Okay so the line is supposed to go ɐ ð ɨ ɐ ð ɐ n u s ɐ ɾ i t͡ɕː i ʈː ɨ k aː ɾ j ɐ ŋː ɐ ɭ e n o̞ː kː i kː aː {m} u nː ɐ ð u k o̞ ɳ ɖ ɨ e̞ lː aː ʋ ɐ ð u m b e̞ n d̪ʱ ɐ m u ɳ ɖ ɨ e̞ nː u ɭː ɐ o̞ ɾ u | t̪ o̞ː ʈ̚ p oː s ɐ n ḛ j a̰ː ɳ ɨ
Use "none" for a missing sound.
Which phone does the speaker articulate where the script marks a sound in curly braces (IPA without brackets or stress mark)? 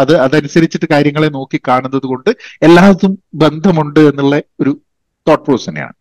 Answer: ɳ